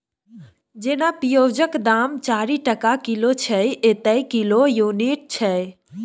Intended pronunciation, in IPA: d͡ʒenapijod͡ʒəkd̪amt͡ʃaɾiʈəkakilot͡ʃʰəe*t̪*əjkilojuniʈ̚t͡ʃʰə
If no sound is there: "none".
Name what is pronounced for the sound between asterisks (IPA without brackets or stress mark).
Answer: t̪